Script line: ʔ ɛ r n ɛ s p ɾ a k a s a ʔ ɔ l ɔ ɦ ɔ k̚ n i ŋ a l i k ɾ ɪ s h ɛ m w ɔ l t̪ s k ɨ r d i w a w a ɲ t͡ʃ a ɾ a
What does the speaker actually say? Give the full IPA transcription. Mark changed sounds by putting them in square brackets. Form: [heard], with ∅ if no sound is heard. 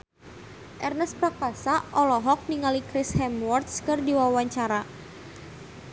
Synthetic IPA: ʔ ɛ r n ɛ s p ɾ a k a s a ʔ ɔ l ɔ ɦ ɔ k̚ n i ŋ a l i k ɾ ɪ s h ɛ m w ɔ [r] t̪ s k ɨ r d i w a w a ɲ t͡ʃ a ɾ a